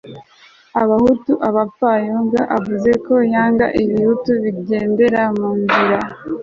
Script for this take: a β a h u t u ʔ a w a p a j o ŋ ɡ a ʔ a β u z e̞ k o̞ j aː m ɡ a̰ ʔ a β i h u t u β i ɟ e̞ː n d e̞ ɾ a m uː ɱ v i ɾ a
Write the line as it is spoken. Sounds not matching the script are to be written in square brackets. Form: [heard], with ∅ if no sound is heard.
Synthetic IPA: a β a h u t u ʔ a [β] a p a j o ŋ ɡ a ʔ a [v] u z e̞ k o̞ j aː [ŋ] ɡ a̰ ʔ [i] β i h u t u β i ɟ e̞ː n d e̞ ɾ a m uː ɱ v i ɾ a